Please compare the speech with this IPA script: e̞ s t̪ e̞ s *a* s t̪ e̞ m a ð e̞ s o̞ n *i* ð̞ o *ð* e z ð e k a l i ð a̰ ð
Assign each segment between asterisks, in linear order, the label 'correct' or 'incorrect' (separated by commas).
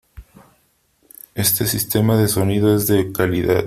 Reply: incorrect, correct, incorrect